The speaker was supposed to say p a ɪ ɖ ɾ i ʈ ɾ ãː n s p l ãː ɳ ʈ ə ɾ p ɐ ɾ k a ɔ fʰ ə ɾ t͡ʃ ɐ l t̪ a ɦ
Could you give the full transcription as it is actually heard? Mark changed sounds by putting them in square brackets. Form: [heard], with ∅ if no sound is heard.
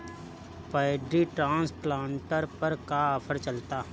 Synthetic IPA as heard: p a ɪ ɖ ɾ i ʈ ɾ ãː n s p l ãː ɳ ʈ ə ɾ p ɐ ɾ k a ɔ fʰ ə ɾ t͡ʃ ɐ l t̪ a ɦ